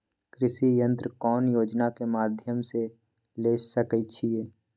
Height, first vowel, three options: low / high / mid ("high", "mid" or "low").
high